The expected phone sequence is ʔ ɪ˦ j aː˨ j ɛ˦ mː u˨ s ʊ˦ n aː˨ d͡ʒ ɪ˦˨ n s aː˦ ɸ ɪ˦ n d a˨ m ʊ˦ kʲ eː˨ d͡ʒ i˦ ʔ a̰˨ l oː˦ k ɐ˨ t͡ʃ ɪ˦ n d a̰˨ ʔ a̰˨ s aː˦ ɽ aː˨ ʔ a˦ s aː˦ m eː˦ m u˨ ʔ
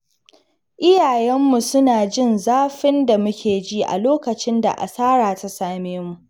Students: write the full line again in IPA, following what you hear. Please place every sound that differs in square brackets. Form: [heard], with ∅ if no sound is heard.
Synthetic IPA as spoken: ʔ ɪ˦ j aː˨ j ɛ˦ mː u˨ s ʊ˦ n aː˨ d͡ʒ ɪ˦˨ n [z] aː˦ ɸ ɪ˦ n d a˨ m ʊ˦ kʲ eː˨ d͡ʒ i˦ ʔ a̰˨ l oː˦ k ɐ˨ t͡ʃ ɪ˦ n d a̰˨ ʔ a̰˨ s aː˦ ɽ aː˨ [t] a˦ s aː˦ m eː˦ m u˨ ʔ